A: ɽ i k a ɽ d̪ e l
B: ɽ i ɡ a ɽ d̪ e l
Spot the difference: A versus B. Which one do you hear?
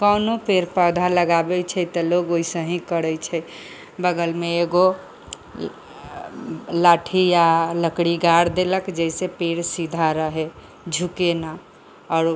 B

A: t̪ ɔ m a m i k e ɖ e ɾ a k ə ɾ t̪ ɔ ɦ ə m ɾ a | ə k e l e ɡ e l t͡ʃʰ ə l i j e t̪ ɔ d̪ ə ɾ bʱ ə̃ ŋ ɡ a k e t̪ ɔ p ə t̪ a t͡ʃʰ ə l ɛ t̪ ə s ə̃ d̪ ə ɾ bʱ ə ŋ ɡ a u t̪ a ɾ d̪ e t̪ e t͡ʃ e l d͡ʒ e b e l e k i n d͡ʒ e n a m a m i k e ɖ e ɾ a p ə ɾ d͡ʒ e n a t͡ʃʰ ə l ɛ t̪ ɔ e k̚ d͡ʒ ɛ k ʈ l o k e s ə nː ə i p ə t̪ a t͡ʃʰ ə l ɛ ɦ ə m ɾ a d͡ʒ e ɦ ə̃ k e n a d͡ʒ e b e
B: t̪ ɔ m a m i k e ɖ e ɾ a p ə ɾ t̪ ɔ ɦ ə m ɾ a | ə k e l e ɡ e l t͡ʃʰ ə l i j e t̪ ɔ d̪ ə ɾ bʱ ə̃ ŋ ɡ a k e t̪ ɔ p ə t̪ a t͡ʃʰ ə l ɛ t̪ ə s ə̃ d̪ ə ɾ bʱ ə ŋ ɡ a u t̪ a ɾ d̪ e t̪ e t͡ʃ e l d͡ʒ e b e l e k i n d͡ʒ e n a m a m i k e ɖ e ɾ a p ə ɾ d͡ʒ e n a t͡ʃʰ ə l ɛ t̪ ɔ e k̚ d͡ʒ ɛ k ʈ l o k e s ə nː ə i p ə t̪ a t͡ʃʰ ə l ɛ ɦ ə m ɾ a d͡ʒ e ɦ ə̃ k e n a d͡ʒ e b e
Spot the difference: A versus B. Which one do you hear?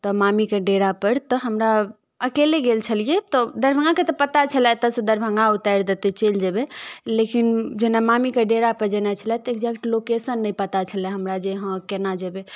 B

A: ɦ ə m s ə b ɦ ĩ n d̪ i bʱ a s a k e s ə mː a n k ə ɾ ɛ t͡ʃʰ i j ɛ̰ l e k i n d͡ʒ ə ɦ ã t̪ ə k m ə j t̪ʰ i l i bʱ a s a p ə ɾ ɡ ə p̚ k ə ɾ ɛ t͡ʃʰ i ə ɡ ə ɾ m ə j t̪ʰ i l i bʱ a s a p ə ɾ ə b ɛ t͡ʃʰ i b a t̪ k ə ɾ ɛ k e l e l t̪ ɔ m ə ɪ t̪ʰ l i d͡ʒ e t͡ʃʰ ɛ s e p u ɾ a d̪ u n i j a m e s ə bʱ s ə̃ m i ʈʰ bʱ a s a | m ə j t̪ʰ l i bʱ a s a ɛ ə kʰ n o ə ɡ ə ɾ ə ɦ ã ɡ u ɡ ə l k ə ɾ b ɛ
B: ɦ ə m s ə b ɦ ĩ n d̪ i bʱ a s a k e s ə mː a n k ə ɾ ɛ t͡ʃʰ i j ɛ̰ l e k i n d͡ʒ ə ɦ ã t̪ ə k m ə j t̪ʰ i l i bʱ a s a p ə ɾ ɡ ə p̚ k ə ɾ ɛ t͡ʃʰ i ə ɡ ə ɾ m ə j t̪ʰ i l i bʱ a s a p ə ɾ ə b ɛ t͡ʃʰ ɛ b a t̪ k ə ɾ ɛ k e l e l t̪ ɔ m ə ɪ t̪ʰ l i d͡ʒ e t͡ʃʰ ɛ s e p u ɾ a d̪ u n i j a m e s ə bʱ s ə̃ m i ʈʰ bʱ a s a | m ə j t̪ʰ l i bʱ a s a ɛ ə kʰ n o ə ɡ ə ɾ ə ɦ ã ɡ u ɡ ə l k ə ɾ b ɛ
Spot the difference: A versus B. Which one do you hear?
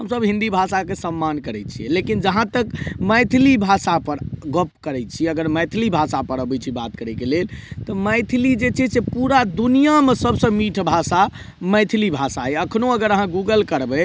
A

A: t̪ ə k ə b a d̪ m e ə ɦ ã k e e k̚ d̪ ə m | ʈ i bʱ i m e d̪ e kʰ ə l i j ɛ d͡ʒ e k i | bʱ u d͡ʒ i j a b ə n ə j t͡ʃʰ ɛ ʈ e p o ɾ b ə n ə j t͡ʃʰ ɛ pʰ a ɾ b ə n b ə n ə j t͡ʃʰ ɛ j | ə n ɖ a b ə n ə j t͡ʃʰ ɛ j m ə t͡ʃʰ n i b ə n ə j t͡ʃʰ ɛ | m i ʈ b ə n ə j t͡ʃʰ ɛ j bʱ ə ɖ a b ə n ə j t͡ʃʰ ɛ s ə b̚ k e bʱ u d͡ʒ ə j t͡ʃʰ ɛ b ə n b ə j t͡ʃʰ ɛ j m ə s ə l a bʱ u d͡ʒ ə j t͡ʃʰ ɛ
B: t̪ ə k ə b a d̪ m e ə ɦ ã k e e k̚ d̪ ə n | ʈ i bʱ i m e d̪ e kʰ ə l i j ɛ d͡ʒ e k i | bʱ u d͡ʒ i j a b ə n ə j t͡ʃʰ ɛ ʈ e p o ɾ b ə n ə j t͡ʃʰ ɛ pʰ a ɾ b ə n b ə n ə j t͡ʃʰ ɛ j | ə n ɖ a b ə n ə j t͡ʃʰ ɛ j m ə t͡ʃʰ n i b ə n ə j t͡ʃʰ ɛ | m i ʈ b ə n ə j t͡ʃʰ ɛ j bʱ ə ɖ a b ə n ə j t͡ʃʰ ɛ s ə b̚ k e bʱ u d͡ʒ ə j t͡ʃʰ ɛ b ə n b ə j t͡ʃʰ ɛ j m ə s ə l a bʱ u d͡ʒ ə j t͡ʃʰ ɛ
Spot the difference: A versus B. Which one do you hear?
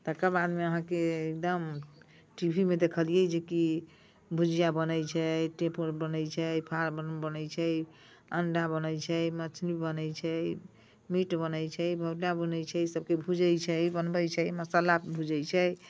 A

